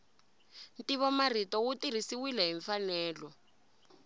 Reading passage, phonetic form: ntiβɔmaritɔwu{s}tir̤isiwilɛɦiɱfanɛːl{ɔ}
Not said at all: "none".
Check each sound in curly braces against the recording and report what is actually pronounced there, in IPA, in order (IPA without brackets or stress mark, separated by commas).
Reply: none, ɔ